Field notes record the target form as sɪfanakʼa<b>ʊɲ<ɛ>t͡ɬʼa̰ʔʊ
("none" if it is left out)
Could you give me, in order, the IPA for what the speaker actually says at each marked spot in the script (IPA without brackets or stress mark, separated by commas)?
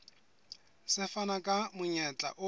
m, ɛ